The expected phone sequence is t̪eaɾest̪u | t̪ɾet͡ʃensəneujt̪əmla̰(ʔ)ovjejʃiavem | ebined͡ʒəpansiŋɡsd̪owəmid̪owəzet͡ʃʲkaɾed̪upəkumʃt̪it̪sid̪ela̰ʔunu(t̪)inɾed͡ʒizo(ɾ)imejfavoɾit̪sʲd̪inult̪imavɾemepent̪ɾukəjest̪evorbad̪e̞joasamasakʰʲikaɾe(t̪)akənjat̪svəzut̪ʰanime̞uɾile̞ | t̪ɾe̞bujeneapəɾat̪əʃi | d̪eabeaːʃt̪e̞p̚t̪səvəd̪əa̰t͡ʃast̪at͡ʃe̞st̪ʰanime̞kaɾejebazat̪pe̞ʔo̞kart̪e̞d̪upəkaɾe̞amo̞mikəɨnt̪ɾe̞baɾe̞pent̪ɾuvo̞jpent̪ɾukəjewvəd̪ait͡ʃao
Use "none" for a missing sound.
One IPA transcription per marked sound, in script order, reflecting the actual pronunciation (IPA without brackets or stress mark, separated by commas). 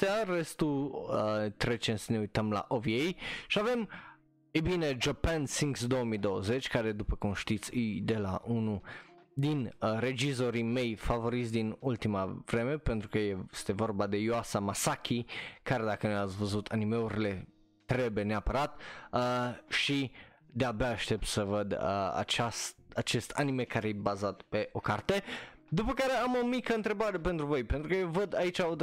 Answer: ʔ, d̪, ɾ, d̪